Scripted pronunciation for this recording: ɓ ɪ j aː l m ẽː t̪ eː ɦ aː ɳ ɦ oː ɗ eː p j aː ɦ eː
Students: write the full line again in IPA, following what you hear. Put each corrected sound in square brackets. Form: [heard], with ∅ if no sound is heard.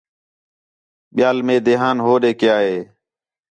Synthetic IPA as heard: ɓ ɪ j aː l m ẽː [d̪] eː ɦ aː [n] ɦ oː ɗ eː [k] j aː ɦ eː

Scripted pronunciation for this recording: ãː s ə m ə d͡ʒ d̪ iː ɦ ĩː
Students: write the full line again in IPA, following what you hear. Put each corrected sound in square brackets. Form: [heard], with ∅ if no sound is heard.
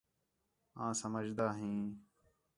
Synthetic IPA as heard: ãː s ə m ə d͡ʒ d̪ [aː] ɦ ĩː

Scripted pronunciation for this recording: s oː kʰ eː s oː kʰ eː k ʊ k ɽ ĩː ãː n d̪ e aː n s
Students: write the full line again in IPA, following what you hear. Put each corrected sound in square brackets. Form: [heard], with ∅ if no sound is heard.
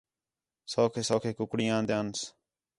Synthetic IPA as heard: s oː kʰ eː s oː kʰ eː k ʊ k ɽ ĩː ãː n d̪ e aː n s

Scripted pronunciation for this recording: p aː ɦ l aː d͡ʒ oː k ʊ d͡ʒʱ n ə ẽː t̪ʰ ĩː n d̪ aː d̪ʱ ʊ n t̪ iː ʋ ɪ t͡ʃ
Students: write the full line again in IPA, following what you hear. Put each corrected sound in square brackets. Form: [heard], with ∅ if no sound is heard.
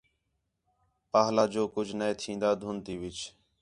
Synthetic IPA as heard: p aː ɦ l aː d͡ʒ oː k ʊ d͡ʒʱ n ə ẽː t̪ʰ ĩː n d̪ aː d̪ʱ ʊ n t̪ iː ʋ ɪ t͡ʃ

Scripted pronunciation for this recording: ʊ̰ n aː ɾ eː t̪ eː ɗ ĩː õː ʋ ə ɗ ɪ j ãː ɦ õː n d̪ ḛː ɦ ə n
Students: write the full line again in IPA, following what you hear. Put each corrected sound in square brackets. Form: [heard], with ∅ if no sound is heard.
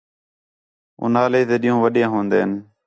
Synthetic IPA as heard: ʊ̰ n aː [l] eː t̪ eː ɗ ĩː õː ʋ ə ɗ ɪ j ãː ɦ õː n d̪ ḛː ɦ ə n

